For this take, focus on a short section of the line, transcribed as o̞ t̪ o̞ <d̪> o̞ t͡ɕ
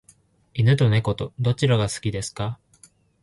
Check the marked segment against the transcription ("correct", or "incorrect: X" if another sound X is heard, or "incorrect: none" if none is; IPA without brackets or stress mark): correct